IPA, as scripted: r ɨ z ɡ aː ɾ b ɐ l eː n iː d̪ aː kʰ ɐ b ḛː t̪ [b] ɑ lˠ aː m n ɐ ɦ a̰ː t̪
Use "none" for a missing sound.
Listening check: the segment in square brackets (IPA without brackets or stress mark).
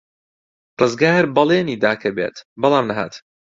b